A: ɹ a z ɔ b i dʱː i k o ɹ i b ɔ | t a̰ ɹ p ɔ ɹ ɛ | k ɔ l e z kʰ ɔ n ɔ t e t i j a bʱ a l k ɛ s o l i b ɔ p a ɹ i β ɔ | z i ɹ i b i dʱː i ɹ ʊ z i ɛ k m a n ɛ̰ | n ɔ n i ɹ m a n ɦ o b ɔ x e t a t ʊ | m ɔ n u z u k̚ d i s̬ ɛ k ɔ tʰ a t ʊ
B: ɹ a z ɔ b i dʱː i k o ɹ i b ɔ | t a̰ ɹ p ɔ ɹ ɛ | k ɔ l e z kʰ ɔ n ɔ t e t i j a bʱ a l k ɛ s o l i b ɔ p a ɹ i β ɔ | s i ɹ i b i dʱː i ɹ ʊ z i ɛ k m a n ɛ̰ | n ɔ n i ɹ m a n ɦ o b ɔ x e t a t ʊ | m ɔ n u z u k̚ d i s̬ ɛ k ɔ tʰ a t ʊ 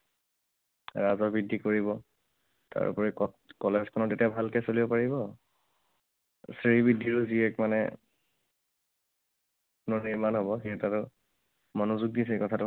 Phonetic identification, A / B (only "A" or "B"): B